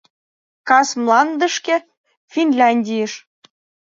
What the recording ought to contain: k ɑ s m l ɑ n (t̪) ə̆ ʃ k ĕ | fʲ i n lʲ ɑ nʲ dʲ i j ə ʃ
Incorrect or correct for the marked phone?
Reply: incorrect: d̪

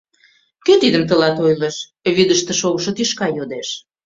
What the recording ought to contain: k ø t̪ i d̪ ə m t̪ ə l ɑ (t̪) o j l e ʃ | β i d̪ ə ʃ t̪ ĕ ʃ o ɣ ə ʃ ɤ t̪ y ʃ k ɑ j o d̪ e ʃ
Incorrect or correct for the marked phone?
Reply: correct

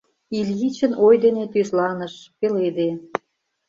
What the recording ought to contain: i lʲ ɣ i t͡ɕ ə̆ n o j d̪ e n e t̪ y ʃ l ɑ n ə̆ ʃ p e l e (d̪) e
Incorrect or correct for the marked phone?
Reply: correct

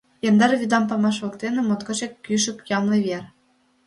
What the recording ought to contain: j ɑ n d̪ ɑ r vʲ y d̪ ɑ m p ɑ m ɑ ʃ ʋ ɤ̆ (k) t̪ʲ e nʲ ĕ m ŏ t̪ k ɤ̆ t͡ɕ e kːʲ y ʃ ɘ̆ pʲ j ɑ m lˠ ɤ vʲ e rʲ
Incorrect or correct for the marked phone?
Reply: correct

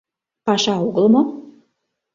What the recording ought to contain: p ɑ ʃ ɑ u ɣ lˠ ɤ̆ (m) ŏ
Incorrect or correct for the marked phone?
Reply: correct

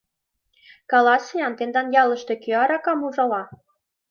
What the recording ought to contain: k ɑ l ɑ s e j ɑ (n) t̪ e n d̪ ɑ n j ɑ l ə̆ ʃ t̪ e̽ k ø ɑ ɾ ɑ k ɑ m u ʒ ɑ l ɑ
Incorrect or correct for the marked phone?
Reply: correct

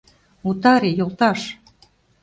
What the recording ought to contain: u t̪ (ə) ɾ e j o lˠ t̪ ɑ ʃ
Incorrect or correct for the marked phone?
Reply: incorrect: ɑ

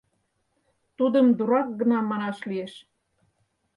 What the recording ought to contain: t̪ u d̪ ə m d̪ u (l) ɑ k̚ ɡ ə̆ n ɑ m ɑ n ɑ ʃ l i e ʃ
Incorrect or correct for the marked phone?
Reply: incorrect: ɾ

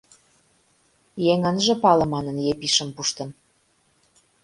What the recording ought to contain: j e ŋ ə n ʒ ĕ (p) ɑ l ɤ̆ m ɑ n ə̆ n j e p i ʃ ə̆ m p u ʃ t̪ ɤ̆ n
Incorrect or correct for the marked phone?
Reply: correct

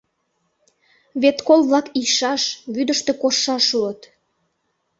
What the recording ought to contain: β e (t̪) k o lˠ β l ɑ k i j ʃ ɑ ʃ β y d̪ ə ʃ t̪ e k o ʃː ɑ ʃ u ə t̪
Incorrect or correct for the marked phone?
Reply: correct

